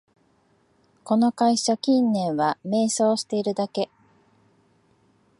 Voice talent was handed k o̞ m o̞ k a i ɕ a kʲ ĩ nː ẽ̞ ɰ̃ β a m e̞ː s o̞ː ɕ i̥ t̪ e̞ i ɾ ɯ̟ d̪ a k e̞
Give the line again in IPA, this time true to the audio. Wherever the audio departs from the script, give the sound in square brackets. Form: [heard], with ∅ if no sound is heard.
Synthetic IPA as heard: k o̞ [n] o̞ k a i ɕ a kʲ ĩ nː ẽ̞ ɰ̃ β a m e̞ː s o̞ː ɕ i̥ t̪ e̞ i ɾ ɯ̟ d̪ a k e̞